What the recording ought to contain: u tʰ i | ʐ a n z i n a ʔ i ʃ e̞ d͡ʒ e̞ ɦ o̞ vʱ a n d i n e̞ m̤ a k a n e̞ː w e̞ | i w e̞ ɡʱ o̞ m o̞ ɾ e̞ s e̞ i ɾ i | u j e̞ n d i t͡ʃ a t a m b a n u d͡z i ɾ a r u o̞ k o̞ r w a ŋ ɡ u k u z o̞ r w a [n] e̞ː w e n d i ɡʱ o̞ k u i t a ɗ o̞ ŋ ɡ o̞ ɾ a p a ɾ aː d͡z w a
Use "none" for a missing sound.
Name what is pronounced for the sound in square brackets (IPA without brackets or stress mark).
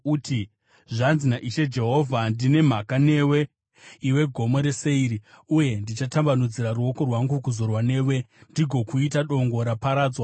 n